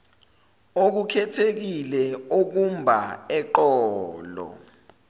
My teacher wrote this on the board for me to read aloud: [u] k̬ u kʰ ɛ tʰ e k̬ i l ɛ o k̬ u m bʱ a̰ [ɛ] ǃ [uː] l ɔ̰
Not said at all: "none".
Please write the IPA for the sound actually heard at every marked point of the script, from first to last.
o, ɛ, ɔː

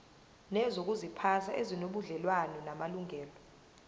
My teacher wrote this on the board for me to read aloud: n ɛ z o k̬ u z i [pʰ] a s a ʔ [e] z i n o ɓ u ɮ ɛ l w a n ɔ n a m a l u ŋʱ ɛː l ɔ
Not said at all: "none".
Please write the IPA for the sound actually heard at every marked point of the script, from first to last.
pʰ, e

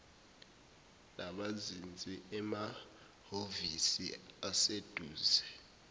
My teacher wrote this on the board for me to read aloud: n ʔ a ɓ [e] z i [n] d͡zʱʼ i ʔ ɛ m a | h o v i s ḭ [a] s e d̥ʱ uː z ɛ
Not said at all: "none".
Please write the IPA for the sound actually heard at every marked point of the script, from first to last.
a, n, a

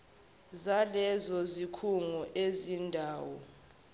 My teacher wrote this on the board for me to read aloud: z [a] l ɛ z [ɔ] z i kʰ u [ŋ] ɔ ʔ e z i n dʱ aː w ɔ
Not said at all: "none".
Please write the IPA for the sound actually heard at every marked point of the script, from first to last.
a, ɔ, ŋ

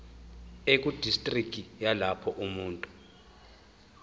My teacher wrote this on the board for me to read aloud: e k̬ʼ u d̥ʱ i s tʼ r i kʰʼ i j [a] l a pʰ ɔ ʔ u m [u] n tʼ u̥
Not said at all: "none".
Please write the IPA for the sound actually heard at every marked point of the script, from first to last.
a, uː

